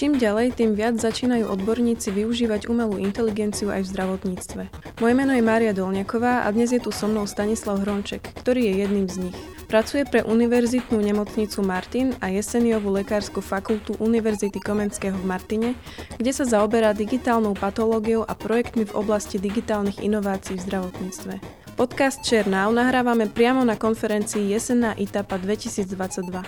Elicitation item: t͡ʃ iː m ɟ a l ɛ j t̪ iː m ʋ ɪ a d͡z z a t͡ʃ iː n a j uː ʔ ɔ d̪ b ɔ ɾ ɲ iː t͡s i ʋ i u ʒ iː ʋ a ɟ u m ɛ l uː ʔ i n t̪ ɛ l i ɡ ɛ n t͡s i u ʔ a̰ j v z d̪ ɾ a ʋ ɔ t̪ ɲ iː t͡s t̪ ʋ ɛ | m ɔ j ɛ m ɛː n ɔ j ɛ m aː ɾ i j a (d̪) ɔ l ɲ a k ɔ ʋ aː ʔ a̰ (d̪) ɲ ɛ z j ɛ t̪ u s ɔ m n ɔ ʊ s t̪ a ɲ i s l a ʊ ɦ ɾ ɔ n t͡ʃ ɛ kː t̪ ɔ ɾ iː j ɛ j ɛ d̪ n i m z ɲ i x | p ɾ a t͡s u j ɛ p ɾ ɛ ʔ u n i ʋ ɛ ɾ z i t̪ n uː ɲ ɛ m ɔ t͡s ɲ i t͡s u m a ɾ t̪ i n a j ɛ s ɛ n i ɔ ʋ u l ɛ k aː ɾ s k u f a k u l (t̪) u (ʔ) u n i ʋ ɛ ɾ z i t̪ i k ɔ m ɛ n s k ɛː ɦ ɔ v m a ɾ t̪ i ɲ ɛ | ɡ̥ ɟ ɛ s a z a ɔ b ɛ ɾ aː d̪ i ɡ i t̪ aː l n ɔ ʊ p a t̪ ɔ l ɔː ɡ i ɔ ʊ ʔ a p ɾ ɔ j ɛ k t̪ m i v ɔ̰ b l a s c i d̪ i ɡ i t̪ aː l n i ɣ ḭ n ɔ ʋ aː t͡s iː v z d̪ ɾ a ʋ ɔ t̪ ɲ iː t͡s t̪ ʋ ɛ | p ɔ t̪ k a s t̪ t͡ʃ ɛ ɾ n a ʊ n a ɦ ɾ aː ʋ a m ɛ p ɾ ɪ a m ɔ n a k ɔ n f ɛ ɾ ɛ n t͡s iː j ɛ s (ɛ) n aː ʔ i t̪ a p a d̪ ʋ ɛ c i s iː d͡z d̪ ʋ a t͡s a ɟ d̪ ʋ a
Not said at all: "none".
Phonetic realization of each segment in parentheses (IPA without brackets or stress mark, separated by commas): d̪, d̪, t̪, ʔ, ɛ